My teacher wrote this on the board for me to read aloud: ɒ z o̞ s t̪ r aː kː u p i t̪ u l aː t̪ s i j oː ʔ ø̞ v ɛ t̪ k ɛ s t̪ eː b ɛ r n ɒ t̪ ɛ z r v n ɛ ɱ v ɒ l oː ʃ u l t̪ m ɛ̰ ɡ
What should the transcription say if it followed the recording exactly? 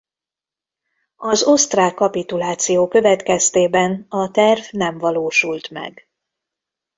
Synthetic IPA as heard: ɒ z o̞ s t̪ r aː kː ɒ p i t̪ u l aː t̪ s i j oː k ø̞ v ɛ t̪ k ɛ s t̪ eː b ɛ n ɒ t̪ ɛ r v n ɛ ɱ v ɒ l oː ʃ u l t̪ m ɛ̰ ɡ